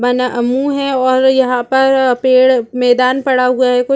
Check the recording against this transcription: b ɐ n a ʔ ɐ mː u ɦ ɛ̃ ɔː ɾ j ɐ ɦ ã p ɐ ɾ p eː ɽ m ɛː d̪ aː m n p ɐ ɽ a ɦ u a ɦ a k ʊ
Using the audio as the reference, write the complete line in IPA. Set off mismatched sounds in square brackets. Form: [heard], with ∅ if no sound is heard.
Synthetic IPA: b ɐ n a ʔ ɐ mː u ɦ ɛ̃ ɔː ɾ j ɐ ɦ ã p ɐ ɾ p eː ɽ m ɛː d̪ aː [∅] n p ɐ ɽ a ɦ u a ɦ [ɛ] k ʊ

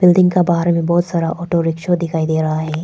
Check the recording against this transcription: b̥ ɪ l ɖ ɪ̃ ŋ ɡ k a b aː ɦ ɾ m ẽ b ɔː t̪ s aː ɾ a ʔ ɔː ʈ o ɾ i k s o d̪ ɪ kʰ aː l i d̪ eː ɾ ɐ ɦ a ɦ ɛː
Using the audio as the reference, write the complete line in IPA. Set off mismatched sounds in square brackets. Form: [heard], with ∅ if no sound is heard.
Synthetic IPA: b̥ ɪ l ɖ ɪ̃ ŋ ɡ k a b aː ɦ ɾ m ẽ b ɔː t̪ s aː ɾ a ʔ ɔː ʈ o ɾ [ɪ] k [ʃ] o d̪ ɪ kʰ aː [∅] i d̪ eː ɾ ɐ ɦ a ɦ ɛː

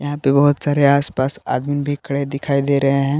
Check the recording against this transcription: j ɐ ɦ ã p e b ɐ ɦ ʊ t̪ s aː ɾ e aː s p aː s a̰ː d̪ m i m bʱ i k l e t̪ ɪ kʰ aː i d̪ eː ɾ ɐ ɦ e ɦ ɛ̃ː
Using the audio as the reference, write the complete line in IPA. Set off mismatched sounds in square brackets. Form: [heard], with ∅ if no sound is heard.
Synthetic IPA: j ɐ ɦ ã p e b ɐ ɦ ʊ t̪ s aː ɾ e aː s p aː s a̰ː d̪ m i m bʱ i k [ɽ] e [d̪] ɪ kʰ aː i d̪ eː ɾ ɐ ɦ e ɦ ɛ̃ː

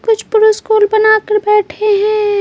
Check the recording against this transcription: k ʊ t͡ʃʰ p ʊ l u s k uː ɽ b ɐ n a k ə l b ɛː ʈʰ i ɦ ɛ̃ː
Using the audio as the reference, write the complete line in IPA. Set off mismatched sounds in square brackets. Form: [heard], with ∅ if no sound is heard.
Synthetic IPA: k ʊ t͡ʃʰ p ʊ [ɾ] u s k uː [l] b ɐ n a k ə [ɾ] b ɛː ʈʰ [e] ɦ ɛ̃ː

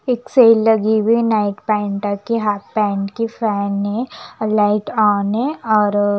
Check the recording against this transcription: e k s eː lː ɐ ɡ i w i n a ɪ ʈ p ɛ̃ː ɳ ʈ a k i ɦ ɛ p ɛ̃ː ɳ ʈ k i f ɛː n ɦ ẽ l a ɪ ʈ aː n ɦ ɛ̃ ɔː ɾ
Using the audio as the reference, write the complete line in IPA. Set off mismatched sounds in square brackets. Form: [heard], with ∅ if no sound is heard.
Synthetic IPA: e k s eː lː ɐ ɡ i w i n a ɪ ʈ p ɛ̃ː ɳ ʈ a k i ɦ [a] p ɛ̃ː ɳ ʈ k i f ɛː n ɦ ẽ l a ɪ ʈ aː n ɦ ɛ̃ ɔː ɾ

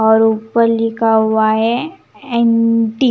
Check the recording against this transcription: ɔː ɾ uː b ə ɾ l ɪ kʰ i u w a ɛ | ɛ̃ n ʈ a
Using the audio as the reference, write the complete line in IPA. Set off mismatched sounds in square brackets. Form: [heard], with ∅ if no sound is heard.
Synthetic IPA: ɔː ɾ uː [p] ə ɾ l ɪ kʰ [a] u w a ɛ | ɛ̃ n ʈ [i]

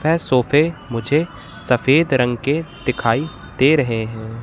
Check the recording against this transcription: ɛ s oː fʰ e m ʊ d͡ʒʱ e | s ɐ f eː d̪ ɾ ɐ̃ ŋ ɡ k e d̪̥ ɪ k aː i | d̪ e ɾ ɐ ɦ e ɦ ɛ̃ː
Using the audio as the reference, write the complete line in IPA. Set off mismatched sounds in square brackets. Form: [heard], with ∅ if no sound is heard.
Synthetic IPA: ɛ s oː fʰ e m ʊ d͡ʒʱ e | s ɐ f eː d̪ ɾ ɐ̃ ŋ ɡ k e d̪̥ ɪ [kʰ] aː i | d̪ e ɾ ɐ ɦ e ɦ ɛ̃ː

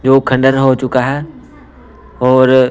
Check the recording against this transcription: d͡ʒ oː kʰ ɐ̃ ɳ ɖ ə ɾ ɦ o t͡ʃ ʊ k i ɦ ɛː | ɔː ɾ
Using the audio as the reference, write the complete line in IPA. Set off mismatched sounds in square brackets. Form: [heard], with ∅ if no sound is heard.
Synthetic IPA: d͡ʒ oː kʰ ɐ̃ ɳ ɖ ə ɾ ɦ o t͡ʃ ʊ k [a] ɦ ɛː | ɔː ɾ

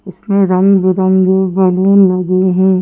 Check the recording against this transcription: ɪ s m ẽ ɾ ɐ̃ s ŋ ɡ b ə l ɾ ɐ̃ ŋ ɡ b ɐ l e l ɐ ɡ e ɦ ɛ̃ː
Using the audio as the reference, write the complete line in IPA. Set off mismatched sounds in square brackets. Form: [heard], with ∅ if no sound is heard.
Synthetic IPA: ɪ s m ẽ ɾ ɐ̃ [∅] ŋ ɡ b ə [∅] ɾ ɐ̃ ŋ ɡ b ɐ l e l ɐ ɡ e ɦ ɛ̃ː

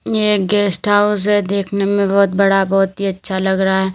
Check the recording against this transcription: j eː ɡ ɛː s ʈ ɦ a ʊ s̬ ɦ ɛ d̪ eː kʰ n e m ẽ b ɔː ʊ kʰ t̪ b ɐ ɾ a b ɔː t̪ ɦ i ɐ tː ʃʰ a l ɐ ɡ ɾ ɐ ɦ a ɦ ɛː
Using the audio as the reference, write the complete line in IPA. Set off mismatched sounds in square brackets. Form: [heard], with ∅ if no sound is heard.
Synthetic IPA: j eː ɡ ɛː s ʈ ɦ a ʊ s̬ ɦ ɛ d̪ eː kʰ n e m ẽ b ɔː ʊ [∅] t̪ b ɐ [ɽ] a b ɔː t̪ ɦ i ɐ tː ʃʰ a l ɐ ɡ ɾ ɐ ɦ a ɦ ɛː

